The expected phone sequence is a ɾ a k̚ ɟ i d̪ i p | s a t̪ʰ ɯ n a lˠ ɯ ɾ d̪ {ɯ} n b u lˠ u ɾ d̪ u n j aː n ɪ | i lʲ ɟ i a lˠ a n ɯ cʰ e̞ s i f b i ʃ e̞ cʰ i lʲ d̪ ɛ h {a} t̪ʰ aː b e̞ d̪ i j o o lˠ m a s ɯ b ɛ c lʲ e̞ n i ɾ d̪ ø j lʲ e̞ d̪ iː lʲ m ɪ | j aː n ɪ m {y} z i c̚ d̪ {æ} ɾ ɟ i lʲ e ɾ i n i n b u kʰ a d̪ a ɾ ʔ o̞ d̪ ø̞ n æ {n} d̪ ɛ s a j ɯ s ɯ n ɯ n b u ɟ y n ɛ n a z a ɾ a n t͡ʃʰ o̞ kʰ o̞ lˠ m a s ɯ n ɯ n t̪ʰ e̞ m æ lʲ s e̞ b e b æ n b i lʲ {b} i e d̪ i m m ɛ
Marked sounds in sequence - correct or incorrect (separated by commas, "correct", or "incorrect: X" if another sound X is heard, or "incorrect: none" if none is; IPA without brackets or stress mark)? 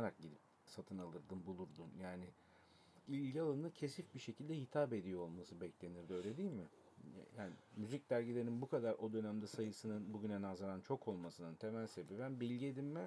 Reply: correct, incorrect: i, correct, correct, incorrect: m, incorrect: ɟ